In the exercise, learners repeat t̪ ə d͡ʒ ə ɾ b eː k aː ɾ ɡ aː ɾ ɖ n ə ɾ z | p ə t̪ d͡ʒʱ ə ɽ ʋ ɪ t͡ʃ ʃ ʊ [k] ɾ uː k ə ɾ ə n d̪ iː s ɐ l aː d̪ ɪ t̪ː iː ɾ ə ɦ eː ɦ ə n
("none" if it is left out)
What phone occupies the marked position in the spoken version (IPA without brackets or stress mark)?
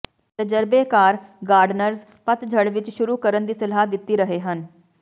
none